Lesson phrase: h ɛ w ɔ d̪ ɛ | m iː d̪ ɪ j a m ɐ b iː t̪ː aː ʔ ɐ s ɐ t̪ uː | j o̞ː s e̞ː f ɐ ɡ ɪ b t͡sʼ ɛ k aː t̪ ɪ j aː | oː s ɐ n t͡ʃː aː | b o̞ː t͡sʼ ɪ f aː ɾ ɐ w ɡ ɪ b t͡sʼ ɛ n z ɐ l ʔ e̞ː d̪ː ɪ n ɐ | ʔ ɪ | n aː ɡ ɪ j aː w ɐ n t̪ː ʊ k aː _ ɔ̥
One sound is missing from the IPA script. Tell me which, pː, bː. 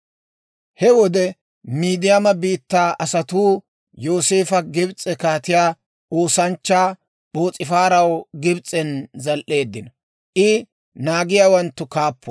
pː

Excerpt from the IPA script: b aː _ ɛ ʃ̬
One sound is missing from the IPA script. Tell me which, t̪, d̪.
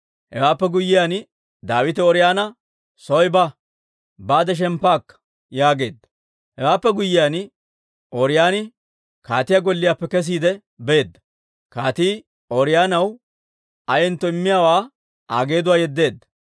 d̪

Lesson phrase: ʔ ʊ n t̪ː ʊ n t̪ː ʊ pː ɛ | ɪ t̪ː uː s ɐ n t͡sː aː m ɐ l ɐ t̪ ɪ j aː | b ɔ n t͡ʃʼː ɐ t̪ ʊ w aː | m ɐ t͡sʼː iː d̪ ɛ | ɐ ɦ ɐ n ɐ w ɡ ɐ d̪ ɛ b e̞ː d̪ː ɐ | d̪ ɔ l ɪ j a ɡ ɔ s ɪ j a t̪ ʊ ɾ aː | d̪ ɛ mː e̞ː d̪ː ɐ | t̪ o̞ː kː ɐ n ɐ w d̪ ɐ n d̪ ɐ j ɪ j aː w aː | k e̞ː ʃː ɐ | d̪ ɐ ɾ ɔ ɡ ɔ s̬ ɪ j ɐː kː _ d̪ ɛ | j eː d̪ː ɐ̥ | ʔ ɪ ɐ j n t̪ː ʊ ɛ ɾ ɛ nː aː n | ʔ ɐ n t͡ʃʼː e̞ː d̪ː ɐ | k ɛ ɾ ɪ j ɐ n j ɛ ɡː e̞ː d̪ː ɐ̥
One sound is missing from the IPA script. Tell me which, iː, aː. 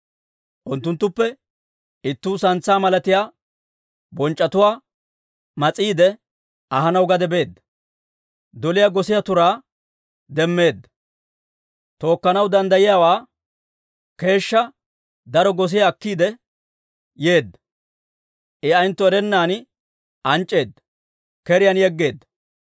iː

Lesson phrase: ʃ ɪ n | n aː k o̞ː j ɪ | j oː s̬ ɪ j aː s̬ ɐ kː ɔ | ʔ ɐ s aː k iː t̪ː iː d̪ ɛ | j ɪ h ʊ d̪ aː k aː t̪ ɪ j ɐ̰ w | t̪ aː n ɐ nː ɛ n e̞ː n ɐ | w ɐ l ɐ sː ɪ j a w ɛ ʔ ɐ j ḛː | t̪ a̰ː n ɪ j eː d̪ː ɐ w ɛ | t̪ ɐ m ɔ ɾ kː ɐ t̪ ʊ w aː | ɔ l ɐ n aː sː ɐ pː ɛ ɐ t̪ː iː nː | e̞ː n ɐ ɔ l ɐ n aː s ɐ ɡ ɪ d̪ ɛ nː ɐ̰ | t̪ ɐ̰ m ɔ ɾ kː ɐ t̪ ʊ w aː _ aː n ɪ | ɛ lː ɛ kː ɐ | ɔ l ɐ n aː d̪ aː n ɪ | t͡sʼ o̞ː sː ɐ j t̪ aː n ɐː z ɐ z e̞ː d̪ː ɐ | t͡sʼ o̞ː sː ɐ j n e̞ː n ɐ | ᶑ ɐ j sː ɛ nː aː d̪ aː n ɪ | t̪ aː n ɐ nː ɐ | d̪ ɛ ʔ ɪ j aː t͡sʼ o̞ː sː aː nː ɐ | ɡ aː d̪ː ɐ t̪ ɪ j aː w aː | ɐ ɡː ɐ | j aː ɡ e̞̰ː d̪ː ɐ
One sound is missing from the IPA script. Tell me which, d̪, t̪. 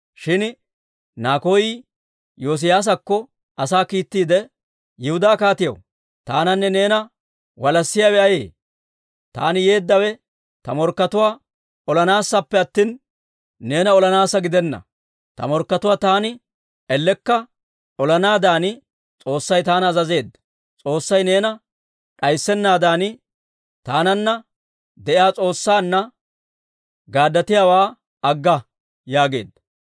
t̪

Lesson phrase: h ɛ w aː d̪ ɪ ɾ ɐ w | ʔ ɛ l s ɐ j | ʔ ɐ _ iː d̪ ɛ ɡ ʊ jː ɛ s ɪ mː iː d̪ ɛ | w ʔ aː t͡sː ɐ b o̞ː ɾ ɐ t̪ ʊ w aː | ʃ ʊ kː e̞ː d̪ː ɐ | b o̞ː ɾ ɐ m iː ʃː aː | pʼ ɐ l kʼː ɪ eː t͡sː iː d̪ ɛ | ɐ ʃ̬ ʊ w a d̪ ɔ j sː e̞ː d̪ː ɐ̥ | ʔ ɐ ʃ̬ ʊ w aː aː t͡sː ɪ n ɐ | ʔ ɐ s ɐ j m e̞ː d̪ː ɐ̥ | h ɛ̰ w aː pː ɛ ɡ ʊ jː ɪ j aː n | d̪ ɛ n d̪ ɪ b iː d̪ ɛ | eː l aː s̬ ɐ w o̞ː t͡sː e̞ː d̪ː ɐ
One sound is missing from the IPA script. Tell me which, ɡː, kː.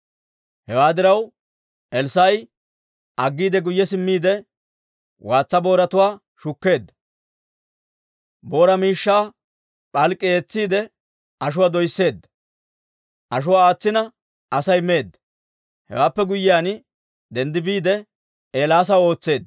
ɡː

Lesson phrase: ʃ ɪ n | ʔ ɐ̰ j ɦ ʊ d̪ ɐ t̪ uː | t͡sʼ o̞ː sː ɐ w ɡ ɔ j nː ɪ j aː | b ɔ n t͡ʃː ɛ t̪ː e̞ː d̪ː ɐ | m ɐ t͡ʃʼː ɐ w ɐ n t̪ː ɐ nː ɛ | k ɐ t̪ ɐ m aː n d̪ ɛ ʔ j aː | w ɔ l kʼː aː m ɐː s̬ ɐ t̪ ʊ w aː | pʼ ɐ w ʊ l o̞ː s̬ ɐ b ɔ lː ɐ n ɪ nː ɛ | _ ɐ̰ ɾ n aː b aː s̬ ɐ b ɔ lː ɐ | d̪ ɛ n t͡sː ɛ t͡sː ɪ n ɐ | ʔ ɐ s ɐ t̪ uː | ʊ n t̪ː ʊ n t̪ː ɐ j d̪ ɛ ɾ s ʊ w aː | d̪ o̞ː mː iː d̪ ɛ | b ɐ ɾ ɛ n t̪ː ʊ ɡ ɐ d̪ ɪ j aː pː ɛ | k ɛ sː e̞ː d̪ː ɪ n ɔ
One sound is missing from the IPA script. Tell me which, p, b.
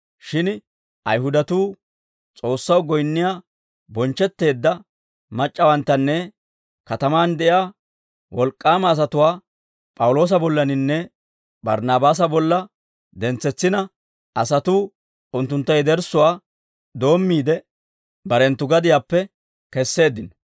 b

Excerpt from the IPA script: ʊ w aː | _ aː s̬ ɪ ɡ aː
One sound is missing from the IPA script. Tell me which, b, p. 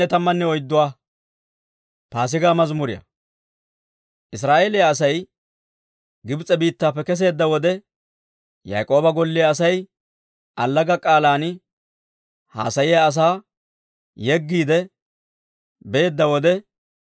p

